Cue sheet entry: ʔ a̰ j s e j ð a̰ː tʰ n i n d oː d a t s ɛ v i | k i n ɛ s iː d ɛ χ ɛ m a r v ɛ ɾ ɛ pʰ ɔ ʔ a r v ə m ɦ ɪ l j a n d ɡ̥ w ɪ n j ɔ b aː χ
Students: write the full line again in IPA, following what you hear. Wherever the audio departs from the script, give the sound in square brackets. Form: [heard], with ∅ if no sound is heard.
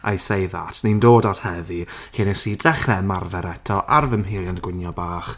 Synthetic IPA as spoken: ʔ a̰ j s e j ð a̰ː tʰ n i n d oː d a t [h] ɛ v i | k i n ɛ s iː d ɛ χ ɛ m a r v ɛ ɾ ɛ [tʰ] ɔ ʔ a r v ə m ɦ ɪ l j a n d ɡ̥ w ɪ n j ɔ b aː χ